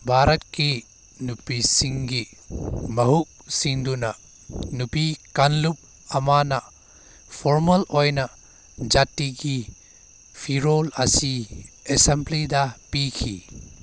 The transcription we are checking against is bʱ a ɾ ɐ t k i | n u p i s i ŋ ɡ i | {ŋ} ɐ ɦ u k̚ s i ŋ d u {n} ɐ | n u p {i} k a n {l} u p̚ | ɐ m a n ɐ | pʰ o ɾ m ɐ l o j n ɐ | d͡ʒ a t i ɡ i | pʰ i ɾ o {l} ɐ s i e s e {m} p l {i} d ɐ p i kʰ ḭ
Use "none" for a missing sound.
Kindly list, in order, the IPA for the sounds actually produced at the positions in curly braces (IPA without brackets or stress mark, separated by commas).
m, n, i, l, l, m, i